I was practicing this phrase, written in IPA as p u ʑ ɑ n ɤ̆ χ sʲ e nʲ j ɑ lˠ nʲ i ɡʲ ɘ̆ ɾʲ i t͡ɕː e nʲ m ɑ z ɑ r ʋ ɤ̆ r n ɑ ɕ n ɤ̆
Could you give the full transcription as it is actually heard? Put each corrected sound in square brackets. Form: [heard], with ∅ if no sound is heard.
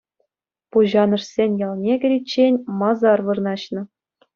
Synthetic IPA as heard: p u ʑ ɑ n ɤ̆ [ʂ] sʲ e nʲ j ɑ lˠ nʲ [e] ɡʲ ɘ̆ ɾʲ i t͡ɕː e nʲ m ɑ z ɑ r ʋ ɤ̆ r n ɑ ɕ n ɤ̆

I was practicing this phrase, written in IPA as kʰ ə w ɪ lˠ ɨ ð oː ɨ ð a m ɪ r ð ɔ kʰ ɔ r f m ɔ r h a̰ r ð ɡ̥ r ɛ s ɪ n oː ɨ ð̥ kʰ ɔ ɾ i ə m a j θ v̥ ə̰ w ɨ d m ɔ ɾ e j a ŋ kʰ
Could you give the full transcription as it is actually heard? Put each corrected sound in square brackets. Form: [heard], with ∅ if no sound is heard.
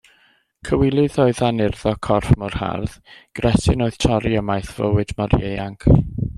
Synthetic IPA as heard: kʰ ə w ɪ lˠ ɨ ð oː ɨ ð a [n] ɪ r ð ɔ kʰ ɔ r f m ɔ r h a̰ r ð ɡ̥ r ɛ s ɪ n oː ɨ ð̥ [tʰ] ɔ ɾ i ə m a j θ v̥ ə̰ w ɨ d m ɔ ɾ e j a ŋ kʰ

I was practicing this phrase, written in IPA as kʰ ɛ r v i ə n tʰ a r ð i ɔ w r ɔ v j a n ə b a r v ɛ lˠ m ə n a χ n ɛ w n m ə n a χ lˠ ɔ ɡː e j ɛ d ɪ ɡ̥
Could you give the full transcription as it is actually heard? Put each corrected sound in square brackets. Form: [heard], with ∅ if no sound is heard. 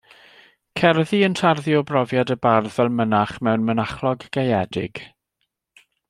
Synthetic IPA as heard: kʰ ɛ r [ð] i ə n tʰ a r ð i ɔ [b] r ɔ v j a [d] ə b a r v ɛ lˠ m ə n a χ [m] ɛ w n m ə n a χ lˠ ɔ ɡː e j ɛ d ɪ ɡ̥

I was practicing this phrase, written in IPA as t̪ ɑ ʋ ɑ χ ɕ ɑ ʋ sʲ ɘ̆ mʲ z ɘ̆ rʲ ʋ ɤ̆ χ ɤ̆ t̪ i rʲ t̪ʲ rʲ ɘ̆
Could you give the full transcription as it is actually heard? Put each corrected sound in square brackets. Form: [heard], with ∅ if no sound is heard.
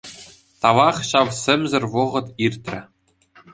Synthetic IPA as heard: t̪ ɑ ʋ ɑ χ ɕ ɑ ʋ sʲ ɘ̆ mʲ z ɘ̆ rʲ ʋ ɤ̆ [ʁ] ɤ̆ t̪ i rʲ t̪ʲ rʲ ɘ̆

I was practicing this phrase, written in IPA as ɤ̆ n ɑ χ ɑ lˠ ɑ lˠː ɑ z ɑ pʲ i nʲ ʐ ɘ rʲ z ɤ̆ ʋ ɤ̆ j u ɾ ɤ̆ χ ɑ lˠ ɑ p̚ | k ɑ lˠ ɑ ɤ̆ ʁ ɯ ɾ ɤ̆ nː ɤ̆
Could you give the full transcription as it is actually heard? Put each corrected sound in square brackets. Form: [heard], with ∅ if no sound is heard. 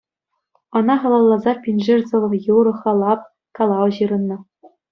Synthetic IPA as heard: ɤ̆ n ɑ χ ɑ lˠ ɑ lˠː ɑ z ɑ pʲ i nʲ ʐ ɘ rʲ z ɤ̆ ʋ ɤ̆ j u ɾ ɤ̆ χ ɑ lˠ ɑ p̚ | k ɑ lˠ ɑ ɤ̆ [ʑ] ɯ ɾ ɤ̆ nː ɤ̆

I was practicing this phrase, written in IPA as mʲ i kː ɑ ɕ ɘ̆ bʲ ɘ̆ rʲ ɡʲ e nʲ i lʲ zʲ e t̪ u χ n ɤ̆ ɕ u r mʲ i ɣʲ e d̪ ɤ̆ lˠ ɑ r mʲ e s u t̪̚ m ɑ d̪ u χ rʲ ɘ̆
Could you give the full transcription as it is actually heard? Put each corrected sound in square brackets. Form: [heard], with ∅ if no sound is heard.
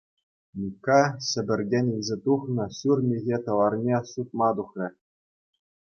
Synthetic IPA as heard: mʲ i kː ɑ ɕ ɘ̆ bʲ ɘ̆ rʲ ɡʲ e nʲ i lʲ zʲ e t̪ u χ n ɤ̆ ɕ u r mʲ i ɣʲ e [t̪] ɤ̆ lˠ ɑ r [nʲ] e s u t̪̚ m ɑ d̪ u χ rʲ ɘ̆

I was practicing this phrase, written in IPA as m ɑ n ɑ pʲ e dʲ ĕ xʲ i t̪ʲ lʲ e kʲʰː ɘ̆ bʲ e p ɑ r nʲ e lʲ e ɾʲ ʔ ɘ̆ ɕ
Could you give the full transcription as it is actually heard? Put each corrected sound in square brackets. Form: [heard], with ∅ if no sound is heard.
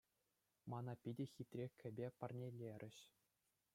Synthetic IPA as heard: m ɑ n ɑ pʲ [i] dʲ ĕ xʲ i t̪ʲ [rʲ] e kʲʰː ɘ̆ bʲ e p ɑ r nʲ e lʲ e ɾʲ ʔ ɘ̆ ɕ

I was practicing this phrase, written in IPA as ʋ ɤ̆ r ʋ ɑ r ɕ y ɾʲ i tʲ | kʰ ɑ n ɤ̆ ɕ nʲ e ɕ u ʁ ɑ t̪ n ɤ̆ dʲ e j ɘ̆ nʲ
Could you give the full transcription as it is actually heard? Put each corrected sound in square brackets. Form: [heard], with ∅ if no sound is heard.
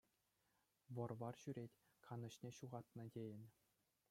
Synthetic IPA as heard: ʋ ɤ̆ r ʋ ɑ r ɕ y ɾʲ [e] tʲ | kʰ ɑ n ɤ̆ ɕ nʲ e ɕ u ʁ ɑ t̪ n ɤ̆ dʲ e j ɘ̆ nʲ

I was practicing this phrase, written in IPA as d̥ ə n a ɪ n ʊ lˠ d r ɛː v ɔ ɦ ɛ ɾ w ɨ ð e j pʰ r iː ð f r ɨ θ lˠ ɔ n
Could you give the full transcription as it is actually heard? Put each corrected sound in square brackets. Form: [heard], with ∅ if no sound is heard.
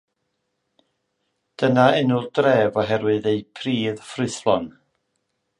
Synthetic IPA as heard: d̥ ə n a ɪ n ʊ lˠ d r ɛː v ɔ ɦ ɛ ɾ w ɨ ð e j pʰ r iː ð f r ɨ θ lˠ ɔ n

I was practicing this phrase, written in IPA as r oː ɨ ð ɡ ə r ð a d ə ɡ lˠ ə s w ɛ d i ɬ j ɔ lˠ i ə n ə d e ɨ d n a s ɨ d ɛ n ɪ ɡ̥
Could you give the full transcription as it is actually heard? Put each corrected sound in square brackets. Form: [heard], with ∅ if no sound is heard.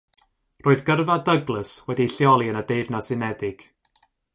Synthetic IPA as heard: r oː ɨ ð ɡ ə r [v] a d ə ɡ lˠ ə s w ɛ d i ɬ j ɔ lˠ i ə n ə d e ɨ d n a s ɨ [n] ɛ [d] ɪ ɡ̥

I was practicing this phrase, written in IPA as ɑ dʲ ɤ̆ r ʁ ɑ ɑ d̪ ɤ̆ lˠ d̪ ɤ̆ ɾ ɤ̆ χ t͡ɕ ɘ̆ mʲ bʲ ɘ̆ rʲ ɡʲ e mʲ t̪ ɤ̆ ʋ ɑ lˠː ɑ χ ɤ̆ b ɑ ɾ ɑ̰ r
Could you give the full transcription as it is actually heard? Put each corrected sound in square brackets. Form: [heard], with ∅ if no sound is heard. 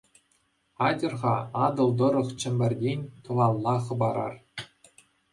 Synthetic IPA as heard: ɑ dʲ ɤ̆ r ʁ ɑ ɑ d̪ ɤ̆ lˠ d̪ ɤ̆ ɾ ɤ̆ χ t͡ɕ ɘ̆ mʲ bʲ ɘ̆ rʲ [dʲ] e [nʲ] t̪ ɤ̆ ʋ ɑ lˠː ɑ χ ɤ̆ b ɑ ɾ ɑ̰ r

